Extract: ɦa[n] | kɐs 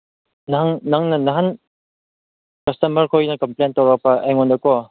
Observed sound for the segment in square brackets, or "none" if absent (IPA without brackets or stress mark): n